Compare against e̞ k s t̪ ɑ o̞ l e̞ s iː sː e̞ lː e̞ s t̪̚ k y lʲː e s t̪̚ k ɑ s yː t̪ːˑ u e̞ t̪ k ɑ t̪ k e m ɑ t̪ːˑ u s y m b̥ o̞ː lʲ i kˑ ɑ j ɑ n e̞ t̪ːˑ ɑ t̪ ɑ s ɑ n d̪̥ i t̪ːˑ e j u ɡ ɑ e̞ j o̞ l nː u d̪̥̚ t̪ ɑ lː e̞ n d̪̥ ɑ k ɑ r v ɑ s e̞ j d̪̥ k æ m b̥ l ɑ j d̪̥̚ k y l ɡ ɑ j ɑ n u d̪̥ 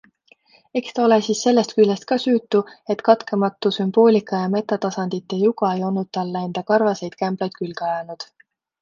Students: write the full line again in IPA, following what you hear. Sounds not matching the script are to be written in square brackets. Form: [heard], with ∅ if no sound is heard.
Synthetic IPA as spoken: e̞ k s t̪ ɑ o̞ l e̞ s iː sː e̞ lː e̞ s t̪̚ k y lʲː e s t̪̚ k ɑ s yː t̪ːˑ u e̞ t̪ k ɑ t̪ k e m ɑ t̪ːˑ u s y m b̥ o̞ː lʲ i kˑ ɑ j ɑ [m] e̞ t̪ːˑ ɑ t̪ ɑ s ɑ n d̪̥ i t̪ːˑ e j u ɡ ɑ e̞ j o̞ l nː u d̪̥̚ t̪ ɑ lː e̞ n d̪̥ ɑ k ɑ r v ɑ s e̞ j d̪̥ k æ m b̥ l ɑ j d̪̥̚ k y l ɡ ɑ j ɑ n u d̪̥